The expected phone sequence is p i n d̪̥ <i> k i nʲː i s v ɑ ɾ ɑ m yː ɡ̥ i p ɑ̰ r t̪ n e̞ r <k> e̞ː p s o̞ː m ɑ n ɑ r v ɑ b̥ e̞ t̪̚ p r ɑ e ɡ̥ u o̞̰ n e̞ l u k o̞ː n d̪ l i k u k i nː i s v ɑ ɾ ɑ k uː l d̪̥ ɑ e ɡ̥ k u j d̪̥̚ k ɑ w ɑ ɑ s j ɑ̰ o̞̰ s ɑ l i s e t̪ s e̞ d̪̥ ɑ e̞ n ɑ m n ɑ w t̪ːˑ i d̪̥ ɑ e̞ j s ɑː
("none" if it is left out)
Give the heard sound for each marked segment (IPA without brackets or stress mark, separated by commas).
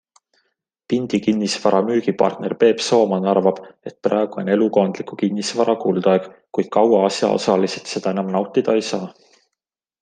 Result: i, p